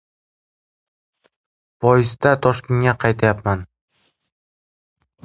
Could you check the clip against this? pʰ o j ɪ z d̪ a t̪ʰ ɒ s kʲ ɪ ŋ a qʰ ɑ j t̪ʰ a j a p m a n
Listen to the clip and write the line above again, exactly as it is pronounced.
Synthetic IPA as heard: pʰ ɒ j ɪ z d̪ a t̪ʰ ɒ ʃ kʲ ɪ ŋ a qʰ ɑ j t̪ʰ a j a p m a n